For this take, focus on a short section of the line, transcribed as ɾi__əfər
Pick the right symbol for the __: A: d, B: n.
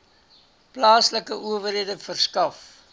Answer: A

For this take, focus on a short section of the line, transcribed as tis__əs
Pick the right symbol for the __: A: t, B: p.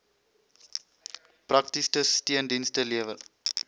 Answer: A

